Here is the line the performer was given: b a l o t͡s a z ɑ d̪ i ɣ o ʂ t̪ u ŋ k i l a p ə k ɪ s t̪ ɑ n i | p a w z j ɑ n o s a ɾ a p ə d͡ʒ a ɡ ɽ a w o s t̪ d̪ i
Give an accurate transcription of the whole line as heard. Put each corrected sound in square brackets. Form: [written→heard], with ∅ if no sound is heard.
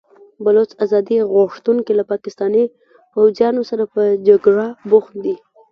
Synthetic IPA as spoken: b a l o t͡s a z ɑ d̪ i ɣ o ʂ t̪ u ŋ k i l a p [ə→ɑ] k ɪ s t̪ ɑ n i | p a w z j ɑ n o s a ɾ a p ə d͡ʒ a ɡ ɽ a [w→b] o [s→x] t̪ d̪ i

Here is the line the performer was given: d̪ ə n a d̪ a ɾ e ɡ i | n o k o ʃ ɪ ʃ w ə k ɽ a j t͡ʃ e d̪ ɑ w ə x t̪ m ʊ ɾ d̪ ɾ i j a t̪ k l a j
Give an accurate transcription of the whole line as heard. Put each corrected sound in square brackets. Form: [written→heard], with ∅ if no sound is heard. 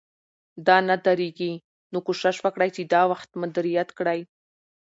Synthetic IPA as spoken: d̪ [ə→ɑ] n a d̪ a ɾ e ɡ i | n o k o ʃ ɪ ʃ w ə k ɽ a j t͡ʃ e d̪ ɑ w [ə→a] x t̪ m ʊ [ɾ→∅] d̪ ɾ i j a t̪ k [l→ɽ] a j

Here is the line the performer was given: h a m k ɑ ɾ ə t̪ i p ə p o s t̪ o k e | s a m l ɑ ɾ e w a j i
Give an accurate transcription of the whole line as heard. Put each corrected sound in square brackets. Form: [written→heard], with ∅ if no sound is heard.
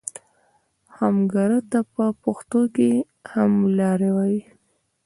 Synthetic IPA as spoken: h a m [k→ɡ] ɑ ɾ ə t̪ [i→a] p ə p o [s→x] t̪ o k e | [s→h] a m l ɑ ɾ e w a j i

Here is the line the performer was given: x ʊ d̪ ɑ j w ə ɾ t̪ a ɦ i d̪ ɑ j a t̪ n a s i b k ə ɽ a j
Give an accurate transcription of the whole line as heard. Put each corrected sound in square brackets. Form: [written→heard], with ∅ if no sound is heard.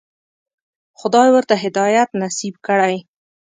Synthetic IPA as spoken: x ʊ d̪ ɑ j w ə ɾ t̪ a ɦ [i→ɪ] d̪ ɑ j a t̪ n a s i b k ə ɽ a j

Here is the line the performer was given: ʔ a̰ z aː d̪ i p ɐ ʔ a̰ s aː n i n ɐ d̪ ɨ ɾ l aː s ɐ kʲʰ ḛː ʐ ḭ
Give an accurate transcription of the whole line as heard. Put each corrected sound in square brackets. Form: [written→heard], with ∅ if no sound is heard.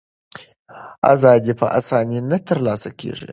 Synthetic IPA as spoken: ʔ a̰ z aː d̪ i p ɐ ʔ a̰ s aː n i n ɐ [d̪→t̪] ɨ ɾ l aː s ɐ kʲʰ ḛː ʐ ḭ

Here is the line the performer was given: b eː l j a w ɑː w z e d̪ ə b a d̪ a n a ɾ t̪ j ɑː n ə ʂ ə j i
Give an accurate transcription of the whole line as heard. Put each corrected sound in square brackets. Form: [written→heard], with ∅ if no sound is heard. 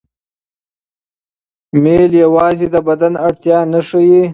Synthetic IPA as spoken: [b→m] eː l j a w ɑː [w→∅] z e d̪ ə b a d̪ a n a [ɾ→ɽ] t̪ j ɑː n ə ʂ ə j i

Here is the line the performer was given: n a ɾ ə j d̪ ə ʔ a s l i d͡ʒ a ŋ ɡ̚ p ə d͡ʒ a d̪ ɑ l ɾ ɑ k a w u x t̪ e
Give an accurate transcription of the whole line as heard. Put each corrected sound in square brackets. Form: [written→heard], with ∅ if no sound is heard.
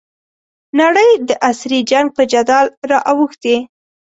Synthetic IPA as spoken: n a [ɾ→ɽ] ə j d̪ ə ʔ a s [l→ɾ] i d͡ʒ a ŋ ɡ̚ p ə d͡ʒ a d̪ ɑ l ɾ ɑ [k→ʔ] a w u x t̪ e

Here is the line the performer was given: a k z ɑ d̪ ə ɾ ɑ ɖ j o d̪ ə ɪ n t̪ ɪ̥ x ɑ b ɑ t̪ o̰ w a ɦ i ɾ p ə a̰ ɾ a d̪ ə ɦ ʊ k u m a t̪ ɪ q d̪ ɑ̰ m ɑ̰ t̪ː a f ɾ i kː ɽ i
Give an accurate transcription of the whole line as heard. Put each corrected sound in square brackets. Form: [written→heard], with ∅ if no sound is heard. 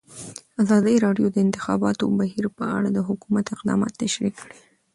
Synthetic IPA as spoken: a [k→∅] z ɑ d̪ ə ɾ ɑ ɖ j o d̪ ə ɪ n t̪ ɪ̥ x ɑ b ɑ t̪ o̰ [w→b] a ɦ i ɾ p ə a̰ [ɾ→ɽ] a d̪ ə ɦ ʊ k u m a t̪ ɪ q d̪ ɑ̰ m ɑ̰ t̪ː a [f→ʃ] ɾ i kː ɽ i

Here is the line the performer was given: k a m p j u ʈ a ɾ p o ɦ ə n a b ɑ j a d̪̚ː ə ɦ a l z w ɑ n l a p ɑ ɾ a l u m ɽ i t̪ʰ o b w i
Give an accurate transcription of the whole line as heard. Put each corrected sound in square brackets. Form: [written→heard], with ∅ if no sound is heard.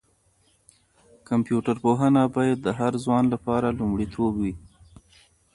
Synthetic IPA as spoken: k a m p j u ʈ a ɾ p o ɦ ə n a b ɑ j a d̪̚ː ə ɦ a [l→ɾ] z w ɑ n l a p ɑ ɾ a l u m ɽ i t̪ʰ o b w i

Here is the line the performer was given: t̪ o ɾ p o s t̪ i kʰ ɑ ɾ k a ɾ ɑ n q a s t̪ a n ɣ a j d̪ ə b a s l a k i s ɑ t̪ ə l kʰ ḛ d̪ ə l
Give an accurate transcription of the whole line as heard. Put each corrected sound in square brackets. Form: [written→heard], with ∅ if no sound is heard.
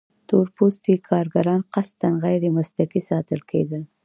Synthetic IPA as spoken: t̪ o ɾ p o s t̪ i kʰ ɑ ɾ [k→ɡ] a ɾ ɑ n q a s t̪ a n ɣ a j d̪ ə [b→m] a s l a k i s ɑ t̪ ə l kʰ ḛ d̪ ə l

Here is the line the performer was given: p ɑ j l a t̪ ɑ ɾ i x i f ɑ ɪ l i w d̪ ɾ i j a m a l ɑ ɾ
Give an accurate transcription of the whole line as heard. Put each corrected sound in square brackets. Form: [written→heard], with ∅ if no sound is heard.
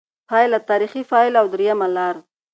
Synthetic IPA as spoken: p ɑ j l a t̪ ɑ ɾ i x i f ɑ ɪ l [i→a] w d̪ ɾ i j a m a l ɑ ɾ

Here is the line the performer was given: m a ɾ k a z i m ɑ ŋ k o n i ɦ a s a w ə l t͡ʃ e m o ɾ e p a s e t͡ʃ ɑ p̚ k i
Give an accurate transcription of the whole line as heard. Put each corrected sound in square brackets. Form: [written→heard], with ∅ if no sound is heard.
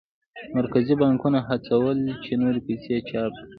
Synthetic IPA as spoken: m a ɾ k a z i [m→b] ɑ ŋ k [o→u] n [i→a] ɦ a [s→t͡s] a w ə l t͡ʃ e [m→n] o ɾ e p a s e t͡ʃ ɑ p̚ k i

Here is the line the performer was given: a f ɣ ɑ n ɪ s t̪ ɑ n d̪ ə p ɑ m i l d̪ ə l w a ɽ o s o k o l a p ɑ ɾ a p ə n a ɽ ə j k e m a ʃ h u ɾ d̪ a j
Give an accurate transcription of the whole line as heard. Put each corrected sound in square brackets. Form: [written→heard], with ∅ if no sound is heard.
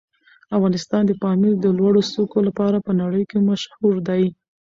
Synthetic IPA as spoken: a f ɣ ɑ n ɪ s t̪ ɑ n d̪ ə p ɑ m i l d̪ ə l w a ɽ o s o k o l a p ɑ ɾ a p ə n a ɽ ə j k e m a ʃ h u ɾ d̪ a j

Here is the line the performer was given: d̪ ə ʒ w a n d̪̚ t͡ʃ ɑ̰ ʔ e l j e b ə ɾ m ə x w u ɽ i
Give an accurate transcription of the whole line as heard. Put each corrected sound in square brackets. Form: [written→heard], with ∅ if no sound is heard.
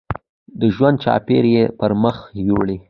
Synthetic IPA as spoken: d̪ ə ʒ w a n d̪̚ t͡ʃ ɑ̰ [ʔ→p] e [l→ɾ] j e [b→p] ə ɾ m ə x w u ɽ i

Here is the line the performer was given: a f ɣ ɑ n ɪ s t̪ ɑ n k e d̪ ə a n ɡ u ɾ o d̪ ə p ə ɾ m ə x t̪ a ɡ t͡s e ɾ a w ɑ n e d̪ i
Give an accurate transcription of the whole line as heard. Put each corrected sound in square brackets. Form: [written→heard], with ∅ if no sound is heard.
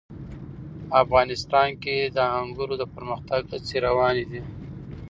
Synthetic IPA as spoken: a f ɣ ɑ n ɪ s t̪ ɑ n k e d̪ ə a [n→ŋ] ɡ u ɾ o d̪ ə p ə ɾ m ə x t̪ a ɡ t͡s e ɾ a w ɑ n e d̪ i

